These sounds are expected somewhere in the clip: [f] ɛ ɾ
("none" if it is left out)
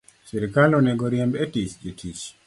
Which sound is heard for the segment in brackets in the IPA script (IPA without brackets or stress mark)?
s